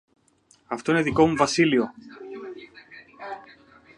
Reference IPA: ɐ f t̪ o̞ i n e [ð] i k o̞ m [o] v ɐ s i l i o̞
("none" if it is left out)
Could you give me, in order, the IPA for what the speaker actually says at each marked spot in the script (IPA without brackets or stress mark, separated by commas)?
ð, u